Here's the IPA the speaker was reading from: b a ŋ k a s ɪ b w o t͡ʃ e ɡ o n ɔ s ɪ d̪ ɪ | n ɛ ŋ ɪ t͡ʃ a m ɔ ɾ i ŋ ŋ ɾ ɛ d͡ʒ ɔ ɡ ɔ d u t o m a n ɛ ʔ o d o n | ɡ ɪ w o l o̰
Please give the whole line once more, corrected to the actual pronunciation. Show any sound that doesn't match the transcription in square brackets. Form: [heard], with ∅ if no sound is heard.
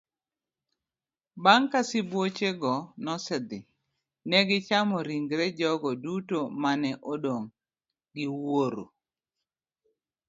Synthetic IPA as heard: b a ŋ k a s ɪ b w o t͡ʃ e ɡ [ɔ] n ɔ s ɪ d̪ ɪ | n ɛ [ɡ] ɪ t͡ʃ a m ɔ ɾ i ŋ [ɡ] ɾ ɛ d͡ʒ ɔ ɡ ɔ d u t o m a n ɛ ʔ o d o [ŋ] | ɡ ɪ w o [ɾ] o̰